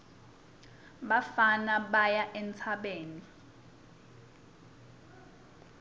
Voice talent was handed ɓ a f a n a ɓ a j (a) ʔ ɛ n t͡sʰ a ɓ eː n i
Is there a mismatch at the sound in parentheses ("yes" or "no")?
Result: no